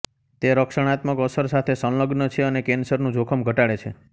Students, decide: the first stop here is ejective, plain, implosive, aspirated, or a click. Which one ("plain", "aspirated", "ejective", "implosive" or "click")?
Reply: plain